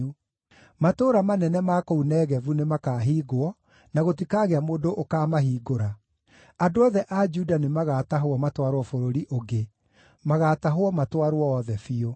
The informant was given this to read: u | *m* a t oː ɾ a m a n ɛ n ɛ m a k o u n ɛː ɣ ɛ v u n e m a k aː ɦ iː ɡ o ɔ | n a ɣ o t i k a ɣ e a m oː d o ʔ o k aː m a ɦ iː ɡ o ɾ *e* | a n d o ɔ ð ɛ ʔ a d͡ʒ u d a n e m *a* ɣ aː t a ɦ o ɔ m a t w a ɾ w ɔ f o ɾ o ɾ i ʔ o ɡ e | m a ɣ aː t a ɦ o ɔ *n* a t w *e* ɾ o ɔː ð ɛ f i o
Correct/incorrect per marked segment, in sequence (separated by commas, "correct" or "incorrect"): correct, incorrect, correct, incorrect, incorrect